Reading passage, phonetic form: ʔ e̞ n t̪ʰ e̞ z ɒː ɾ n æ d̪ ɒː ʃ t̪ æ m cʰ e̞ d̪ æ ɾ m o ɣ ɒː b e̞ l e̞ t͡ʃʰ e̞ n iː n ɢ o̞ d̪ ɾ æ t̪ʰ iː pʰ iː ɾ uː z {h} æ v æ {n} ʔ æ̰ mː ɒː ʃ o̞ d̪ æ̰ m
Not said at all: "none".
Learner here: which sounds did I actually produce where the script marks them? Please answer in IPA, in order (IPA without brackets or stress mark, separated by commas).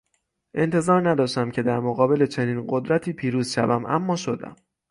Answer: ʃ, m